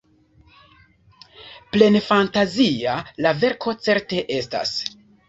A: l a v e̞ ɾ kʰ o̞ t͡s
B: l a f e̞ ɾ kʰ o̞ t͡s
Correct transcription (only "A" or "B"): A